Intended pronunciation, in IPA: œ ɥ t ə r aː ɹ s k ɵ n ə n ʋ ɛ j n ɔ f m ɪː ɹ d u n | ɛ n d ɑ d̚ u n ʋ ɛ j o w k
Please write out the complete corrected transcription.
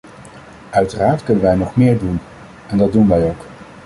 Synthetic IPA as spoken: œ ɥ t ə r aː ɹ t k ɵ n ə n ʋ ɛ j n ɔ χ m ɪː ɹ d u n | ɛ n d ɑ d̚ u n ʋ ɛ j o w k